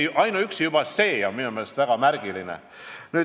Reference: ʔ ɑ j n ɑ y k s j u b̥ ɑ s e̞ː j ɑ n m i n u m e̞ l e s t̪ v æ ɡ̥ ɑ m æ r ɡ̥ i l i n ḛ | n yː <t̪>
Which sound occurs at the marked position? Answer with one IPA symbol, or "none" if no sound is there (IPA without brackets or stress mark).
none